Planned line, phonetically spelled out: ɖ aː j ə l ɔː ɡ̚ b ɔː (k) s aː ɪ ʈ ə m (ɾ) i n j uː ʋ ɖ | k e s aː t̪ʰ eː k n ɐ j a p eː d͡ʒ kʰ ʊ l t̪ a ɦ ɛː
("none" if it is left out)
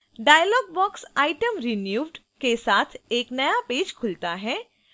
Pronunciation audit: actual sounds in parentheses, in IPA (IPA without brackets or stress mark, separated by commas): k, ɾ